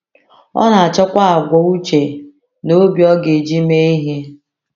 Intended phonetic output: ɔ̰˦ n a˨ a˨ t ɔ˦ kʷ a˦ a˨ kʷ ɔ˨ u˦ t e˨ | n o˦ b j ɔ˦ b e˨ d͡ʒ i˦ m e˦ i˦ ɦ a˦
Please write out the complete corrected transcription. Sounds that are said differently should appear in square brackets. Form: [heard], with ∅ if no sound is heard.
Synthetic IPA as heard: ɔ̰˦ n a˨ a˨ [t͡ʃ] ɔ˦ kʷ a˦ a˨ [ɡʷ] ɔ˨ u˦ [t͡ʃ] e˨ | n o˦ b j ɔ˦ [ɡ] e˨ d͡ʒ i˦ m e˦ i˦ ɦ [e˦]